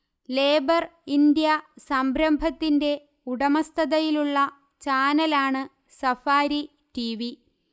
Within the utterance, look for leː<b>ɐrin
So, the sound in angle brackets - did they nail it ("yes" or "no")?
yes